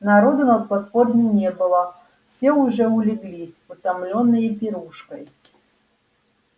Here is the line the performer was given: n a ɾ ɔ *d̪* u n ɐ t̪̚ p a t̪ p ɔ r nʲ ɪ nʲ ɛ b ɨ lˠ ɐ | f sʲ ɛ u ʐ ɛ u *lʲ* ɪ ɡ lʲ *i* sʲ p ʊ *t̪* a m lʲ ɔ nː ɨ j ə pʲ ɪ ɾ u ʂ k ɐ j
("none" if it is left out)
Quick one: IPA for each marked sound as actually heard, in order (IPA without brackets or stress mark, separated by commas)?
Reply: d̪, lʲ, i, t̪